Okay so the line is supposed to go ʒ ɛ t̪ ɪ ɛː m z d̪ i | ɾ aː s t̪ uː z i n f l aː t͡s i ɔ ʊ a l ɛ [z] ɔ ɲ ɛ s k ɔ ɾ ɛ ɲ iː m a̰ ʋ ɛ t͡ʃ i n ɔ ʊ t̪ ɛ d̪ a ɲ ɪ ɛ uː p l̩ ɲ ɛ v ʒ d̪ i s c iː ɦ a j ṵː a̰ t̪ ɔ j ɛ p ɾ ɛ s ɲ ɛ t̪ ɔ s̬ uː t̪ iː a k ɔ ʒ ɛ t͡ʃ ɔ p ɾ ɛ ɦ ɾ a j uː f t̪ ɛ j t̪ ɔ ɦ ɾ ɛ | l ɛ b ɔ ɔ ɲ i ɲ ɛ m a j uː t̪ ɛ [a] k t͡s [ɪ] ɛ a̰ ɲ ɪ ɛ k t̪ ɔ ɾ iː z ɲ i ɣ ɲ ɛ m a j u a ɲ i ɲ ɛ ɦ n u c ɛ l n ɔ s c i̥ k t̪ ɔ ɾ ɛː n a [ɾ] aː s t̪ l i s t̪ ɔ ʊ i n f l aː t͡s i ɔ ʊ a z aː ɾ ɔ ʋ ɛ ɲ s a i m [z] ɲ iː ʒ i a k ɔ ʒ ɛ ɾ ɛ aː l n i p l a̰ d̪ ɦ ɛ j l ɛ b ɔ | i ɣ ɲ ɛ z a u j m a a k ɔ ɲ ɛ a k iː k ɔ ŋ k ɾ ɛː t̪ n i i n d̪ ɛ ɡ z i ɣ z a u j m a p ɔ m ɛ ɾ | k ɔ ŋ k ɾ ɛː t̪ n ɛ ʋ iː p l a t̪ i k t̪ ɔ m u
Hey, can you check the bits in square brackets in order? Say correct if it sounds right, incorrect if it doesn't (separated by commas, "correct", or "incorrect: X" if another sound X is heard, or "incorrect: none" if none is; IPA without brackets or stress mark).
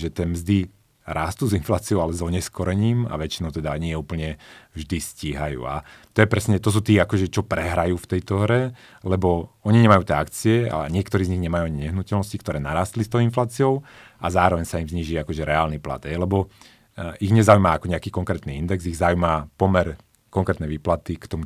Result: correct, correct, incorrect: i, correct, correct